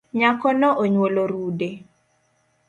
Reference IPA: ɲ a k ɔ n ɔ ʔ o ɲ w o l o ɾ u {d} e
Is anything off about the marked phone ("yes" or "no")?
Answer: no